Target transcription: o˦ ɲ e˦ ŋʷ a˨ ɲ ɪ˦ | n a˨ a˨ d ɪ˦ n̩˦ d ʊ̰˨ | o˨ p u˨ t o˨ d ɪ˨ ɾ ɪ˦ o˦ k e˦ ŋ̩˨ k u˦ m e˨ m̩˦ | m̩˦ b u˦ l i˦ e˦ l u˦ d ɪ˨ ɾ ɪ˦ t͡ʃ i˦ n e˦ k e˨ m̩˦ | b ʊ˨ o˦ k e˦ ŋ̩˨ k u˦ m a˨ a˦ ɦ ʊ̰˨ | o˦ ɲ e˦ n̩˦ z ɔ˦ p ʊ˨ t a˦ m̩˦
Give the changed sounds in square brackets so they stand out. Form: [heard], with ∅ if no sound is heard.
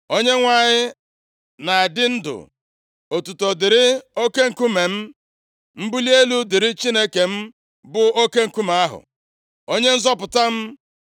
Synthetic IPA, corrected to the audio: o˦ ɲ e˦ ŋʷ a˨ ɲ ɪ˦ | n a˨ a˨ d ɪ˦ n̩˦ d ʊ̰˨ | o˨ [t] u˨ t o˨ d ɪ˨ ɾ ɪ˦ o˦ k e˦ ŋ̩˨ k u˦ m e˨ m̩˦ | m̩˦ b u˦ l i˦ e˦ l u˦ d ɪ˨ ɾ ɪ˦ t͡ʃ i˦ n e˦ k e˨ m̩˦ | b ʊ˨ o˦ k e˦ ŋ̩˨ k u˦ m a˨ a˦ ɦ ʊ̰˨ | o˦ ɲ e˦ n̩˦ z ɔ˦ p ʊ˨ t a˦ m̩˦